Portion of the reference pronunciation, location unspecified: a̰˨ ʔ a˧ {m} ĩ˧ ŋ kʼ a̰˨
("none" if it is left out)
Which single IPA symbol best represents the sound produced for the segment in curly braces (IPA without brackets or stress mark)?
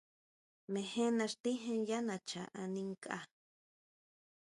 n